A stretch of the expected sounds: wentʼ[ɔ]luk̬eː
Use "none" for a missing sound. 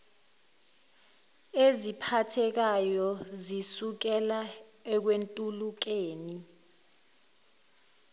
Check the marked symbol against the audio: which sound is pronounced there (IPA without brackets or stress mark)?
u